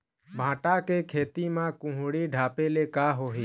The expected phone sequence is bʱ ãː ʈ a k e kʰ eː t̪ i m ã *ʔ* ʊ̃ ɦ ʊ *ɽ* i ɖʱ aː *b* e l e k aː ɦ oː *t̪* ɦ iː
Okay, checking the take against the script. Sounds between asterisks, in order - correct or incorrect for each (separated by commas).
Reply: incorrect, correct, incorrect, incorrect